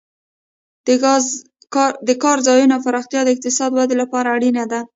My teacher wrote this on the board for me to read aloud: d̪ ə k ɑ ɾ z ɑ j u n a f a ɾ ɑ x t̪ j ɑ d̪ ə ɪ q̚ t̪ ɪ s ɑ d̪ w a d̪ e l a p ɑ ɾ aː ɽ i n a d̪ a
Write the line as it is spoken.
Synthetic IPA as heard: d̪ ə k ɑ ɾ z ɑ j u n a f a ɾ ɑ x t̪ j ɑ d̪ ə ɪ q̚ t̪ ɪ s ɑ d̪ w a d̪ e l a p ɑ ɾ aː ɽ i n a d̪ a